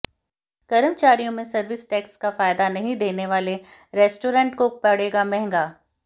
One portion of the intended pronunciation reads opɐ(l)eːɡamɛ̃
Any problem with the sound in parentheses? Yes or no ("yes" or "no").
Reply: yes